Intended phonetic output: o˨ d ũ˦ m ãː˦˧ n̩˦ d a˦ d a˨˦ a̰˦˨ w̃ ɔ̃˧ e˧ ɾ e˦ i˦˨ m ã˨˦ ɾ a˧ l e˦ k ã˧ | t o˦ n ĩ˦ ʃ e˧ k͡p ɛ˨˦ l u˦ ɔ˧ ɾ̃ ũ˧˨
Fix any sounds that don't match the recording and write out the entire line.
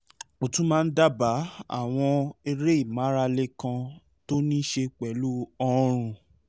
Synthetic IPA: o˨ t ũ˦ m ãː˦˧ n̩˦ d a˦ b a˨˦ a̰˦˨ w̃ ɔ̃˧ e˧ ɾ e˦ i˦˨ m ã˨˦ ɾ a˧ l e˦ k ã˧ | t o˦ n ĩ˦ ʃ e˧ k͡p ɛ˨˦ l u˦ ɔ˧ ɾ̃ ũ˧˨